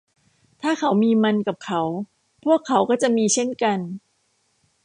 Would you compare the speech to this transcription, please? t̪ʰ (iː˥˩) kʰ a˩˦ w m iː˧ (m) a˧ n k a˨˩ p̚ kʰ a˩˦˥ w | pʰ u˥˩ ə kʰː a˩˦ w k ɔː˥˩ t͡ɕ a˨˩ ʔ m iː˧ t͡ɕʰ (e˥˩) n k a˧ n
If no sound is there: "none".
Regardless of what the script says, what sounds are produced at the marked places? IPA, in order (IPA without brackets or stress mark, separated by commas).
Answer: aː˥˩, m, e˥˩